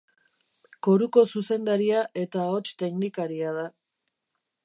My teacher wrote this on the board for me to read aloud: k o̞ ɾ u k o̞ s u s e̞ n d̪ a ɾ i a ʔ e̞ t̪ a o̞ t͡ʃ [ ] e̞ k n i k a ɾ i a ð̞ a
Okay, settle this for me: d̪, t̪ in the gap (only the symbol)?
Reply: t̪